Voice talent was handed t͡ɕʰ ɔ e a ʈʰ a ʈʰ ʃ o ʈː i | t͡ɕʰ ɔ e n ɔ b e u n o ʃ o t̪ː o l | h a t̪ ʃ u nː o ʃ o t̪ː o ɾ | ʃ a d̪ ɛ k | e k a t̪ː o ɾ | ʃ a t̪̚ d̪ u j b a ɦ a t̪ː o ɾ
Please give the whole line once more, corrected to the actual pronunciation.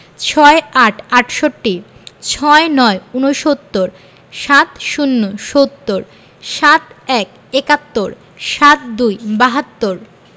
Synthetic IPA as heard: t͡ɕʰ ɔ e a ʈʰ a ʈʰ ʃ o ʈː i | t͡ɕʰ ɔ e n ɔ e u n o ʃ o t̪ː o ɾ | ʃ a t̪ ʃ u nː o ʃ o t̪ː o ɾ | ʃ a t̪ ɛ k | e k a t̪ː o ɾ | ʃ a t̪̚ d̪ u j b a ɦ a t̪ː o ɾ